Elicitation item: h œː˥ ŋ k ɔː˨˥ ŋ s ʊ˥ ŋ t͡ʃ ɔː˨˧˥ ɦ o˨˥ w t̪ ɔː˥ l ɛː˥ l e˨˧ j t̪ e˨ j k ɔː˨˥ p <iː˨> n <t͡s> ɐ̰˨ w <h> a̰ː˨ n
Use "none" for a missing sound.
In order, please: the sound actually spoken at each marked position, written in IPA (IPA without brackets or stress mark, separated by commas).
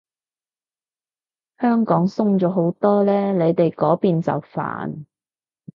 iː˨, t͡s, f